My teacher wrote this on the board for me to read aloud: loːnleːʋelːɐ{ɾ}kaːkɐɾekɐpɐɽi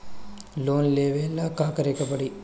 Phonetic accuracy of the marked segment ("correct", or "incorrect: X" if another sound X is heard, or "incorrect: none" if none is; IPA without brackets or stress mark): incorrect: none